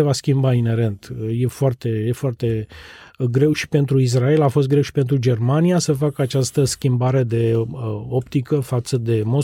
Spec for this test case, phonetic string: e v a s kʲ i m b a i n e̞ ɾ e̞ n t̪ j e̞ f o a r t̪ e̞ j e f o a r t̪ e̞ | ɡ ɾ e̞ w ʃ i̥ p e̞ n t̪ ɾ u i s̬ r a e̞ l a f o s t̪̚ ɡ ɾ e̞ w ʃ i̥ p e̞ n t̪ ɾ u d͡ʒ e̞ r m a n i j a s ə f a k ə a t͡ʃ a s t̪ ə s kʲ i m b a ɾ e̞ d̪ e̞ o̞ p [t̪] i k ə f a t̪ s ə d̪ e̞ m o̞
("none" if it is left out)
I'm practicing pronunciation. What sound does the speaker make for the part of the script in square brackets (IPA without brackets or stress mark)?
t̪